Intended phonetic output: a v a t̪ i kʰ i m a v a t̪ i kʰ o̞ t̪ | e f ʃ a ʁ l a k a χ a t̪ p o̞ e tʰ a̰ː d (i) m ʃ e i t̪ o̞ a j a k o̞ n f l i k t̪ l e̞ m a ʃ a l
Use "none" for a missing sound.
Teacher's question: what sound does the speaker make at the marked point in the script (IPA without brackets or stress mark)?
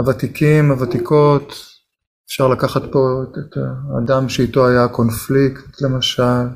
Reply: a